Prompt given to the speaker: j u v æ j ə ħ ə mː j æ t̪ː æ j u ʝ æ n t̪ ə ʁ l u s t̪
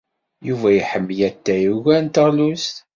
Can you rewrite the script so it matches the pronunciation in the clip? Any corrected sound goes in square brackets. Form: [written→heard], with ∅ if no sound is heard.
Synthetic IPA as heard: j u v æ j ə ħ ə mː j æ t̪ː æ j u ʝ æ n t̪ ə ʁ l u s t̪